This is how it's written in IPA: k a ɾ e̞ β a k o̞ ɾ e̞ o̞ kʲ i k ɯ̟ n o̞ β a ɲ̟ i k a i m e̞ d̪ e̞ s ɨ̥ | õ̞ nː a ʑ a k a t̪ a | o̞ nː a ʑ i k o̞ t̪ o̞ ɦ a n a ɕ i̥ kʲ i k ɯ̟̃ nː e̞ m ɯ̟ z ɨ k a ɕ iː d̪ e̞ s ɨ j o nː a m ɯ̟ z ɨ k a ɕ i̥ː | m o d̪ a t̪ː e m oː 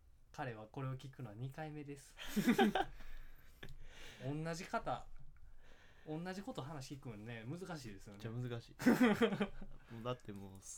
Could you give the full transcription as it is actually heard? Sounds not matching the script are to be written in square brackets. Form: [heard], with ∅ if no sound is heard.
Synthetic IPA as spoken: k a ɾ e̞ β a k o̞ ɾ e̞ o̞ kʲ i k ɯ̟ n o̞ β a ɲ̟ i k a i m e̞ d̪ e̞ s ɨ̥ | õ̞ nː a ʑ [i] k a t̪ a | [õ̞] nː a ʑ i k o̞ t̪ o̞ ɦ a n a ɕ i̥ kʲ i k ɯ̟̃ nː e̞ m ɯ̟ z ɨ k a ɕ iː d̪ e̞ s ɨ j o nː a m ɯ̟ z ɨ k a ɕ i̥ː | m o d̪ a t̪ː e m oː